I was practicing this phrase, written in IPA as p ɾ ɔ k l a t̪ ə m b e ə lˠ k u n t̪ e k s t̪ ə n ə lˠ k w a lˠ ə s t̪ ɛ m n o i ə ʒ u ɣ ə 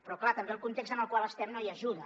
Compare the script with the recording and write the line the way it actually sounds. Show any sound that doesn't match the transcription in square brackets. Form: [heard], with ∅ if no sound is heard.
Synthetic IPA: p ɾ ɔ k l a t̪ ə m b e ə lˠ k u n t̪ e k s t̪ ə n ə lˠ k w a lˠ ə s t̪ ɛ m n o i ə ʒ u [ð] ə

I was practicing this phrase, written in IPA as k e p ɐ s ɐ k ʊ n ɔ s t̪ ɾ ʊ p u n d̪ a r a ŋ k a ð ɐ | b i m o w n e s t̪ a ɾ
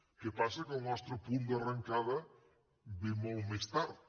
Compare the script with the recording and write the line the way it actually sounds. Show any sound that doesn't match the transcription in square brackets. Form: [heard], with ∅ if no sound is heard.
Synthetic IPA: k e p [a] s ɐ k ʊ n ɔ s t̪ ɾ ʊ p u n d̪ a r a ŋ k a ð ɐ | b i m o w [m] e s t̪ a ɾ

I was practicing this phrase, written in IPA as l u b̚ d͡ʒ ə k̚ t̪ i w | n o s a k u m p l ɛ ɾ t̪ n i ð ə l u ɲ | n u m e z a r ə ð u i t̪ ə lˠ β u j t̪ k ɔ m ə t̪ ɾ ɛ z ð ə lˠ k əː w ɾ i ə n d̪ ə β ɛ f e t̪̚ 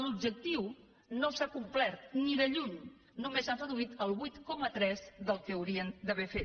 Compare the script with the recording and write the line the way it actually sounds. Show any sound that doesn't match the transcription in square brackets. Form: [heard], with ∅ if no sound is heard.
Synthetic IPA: l u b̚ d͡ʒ ə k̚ t̪ i w | n o s a k u m p l ɛ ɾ t̪ n i ð ə [ʎ] u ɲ | n u m e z a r ə ð u i t̪ ə lˠ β u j t̪ k ɔ m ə t̪ ɾ ɛ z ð ə lˠ k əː w ɾ i ə n d̪ ə β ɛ f e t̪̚

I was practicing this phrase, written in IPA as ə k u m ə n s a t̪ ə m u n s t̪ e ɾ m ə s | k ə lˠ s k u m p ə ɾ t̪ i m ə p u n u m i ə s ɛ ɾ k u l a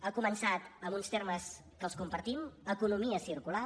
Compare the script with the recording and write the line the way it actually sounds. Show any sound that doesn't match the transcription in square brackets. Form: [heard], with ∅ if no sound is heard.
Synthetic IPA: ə k u m ə n s a t̪ ə m u n s t̪ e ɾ m ə s | k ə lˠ s k u m p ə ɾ t̪ i m ə [k] u n u m i ə s [i] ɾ k u l a

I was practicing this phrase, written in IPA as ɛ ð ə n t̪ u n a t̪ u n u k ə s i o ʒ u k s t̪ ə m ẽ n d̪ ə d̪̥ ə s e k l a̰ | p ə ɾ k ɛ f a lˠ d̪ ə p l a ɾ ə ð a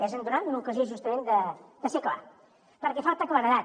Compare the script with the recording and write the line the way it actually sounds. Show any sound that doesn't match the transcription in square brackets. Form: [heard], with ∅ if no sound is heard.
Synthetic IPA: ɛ [z] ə n [d̪] u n a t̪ u n u k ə [z] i o ʒ u [∅] s t̪ ə m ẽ n d̪ ə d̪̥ ə s e k l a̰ | p ə ɾ k ɛ f a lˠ [t̪] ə [k] l a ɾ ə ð a

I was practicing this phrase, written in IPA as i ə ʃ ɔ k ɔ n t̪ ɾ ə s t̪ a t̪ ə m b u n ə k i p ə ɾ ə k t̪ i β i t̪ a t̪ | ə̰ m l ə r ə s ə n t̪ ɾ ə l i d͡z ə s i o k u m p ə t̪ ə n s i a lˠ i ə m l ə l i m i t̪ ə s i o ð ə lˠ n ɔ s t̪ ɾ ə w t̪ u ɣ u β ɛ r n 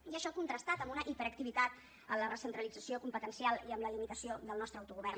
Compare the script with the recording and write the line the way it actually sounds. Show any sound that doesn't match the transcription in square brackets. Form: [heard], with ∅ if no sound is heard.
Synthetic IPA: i ə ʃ ɔ k [u] n t̪ ɾ ə s t̪ a t̪ ə m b u n ə [ʔ] i p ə ɾ ə k t̪ i β i t̪ a t̪ | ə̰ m l ə r ə s ə n t̪ ɾ ə l i d͡z ə s i o k u m p ə t̪ ə n s i a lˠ i ə m l ə l i m i t̪ ə s i o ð ə lˠ n ɔ s t̪ ɾ ə w t̪ u ɣ u β ɛ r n

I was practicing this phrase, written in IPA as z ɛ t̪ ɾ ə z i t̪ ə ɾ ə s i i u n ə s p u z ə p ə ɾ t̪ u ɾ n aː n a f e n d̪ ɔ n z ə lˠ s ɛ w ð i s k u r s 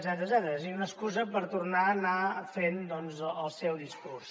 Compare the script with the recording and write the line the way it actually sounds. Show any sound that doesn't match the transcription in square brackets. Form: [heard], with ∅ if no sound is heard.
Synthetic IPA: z ɛ t̪ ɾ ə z [ɛ] t̪ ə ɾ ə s i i u n ə s [k] u z ə p ə ɾ t̪ u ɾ n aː n a f e n d̪ ɔ n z ə lˠ s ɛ w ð i s k u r s

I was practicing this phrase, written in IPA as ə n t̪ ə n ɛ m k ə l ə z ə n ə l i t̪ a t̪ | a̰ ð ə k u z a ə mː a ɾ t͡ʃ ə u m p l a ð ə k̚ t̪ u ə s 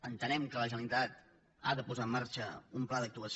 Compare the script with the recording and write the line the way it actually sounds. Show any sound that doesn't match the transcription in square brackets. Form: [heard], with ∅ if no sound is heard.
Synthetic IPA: ə n t̪ ə n ɛ m k ə l ə [ʒ] ə n ə l i t̪ a t̪ | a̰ ð ə [p] u z a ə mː a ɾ t͡ʃ ə u m p l a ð ə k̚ t̪ u ə s

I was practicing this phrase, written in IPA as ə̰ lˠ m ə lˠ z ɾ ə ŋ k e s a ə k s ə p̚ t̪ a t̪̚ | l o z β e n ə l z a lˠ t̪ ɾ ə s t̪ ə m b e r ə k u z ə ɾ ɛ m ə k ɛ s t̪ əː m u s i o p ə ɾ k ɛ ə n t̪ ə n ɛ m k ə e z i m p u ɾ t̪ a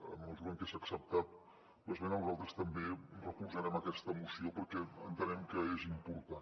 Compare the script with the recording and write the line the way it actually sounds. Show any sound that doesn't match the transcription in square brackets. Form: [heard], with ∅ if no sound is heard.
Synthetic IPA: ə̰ [∅] m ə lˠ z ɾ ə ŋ k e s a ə k s ə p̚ t̪ a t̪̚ | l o z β e n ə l z a lˠ t̪ ɾ ə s t̪ ə m b e r ə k u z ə ɾ ɛ m ə k ɛ s t̪ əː m u s i o p ə ɾ k ɛ ə n t̪ ə n ɛ m k ə e z i m p u ɾ t̪ a

